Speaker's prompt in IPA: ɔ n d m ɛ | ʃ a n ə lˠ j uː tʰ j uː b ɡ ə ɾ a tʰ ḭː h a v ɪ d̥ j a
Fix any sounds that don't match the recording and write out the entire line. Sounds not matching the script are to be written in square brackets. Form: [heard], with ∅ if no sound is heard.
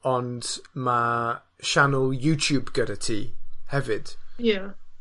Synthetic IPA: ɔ n d m [a] | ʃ a n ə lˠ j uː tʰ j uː b ɡ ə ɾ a tʰ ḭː h [ɛ] v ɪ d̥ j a